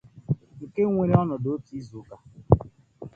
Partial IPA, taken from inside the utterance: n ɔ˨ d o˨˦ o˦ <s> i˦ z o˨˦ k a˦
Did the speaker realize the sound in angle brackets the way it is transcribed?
no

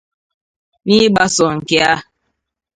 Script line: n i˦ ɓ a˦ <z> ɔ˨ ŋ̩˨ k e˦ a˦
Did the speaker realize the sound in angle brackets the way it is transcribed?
no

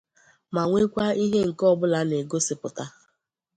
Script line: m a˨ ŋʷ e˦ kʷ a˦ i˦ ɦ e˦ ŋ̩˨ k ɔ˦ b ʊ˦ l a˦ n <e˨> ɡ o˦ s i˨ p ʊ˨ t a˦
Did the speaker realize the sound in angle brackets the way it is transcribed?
yes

